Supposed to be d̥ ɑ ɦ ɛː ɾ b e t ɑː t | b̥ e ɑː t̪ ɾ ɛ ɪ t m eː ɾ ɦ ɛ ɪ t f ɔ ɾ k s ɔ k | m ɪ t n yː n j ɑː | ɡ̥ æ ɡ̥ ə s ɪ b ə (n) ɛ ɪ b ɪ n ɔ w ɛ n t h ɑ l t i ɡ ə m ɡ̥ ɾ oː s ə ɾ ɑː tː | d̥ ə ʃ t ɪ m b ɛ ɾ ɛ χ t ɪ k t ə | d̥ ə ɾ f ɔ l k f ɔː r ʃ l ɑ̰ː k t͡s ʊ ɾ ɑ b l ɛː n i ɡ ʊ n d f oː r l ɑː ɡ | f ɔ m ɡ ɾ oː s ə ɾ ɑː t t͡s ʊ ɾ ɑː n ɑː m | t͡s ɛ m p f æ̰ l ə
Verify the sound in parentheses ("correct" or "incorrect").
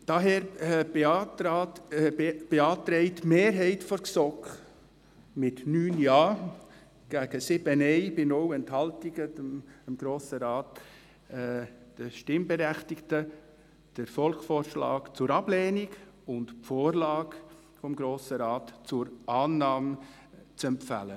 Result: correct